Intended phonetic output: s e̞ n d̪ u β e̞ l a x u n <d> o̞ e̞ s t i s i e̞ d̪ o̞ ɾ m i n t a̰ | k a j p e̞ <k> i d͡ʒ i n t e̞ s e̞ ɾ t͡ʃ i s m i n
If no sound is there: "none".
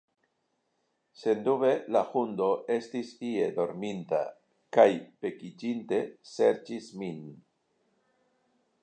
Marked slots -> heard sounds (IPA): d, k

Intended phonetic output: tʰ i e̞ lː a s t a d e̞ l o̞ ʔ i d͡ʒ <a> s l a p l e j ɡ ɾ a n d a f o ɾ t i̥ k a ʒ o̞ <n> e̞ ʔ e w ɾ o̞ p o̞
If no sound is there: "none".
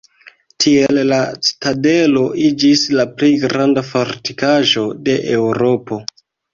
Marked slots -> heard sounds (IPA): i, d

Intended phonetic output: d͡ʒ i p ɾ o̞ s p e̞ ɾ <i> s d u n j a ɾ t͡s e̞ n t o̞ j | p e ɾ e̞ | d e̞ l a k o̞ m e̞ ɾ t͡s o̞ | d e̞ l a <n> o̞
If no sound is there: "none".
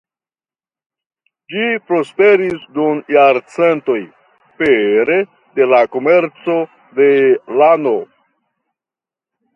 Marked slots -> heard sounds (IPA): i, n

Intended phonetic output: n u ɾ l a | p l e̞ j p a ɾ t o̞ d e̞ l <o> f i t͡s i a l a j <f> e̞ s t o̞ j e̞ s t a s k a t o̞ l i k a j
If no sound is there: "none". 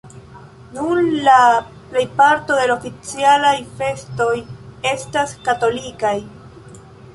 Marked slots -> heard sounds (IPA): o, f

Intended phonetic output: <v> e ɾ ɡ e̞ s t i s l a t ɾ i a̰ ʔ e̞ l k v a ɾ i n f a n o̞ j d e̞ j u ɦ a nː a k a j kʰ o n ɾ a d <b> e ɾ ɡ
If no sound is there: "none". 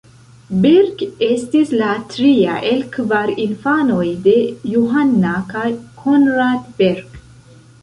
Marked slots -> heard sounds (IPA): b, b

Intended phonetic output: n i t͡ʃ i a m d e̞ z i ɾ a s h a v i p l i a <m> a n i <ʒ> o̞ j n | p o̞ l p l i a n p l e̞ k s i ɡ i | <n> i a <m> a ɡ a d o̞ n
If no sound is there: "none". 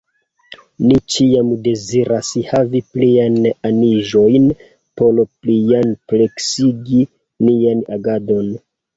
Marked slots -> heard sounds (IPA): n, ʒ, n, n

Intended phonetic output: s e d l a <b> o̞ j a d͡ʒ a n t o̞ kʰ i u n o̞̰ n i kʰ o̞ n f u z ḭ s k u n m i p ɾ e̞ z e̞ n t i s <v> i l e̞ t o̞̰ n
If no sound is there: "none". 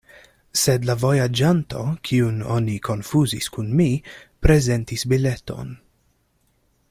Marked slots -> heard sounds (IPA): v, b

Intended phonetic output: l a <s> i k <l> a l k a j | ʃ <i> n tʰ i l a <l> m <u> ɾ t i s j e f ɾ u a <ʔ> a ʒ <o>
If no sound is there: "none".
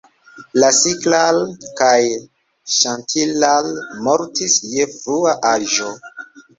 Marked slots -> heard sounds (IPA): s, l, a, l, o, ʔ, o

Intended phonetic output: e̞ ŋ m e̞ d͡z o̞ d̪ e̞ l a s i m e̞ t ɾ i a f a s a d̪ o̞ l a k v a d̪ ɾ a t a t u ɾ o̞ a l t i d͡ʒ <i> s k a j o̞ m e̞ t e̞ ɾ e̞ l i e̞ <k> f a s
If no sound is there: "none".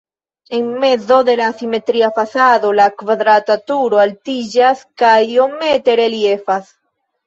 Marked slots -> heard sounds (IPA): a, none

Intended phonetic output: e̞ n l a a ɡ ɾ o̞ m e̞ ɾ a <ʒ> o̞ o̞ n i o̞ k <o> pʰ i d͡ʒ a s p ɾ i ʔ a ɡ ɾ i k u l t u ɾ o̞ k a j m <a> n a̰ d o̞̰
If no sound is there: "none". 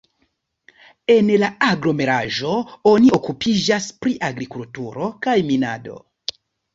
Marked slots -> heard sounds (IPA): ʒ, u, i

